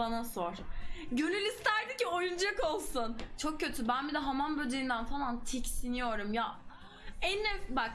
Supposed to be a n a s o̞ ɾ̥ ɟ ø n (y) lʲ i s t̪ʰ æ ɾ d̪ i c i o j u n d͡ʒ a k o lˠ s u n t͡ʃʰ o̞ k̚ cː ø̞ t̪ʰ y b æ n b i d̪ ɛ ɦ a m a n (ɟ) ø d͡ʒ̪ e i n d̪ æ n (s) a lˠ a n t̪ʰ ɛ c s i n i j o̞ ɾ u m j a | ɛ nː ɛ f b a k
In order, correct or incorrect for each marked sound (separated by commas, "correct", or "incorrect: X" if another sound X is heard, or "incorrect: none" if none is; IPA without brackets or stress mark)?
correct, incorrect: b, incorrect: f